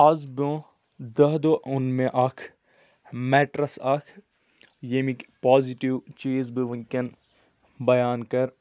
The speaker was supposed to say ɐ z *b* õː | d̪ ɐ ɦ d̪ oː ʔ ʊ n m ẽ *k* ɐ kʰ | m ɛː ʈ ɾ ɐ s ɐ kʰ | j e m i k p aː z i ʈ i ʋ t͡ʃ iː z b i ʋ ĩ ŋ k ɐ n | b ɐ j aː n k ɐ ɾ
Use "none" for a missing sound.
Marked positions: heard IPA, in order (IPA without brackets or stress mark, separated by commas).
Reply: b, ʔ